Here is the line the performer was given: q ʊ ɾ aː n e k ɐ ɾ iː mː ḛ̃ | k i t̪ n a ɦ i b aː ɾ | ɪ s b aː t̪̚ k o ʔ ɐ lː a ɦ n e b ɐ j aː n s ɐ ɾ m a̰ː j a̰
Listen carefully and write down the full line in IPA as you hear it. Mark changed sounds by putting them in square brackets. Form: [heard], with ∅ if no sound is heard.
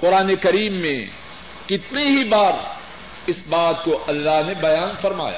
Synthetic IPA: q ʊ ɾ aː n e k ɐ ɾ iː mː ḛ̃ | k [ɪ] t̪ n [i] ɦ i b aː ɾ | ɪ s b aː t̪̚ k o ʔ ɐ lː a ɦ n e b ɐ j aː n [f] ɐ ɾ m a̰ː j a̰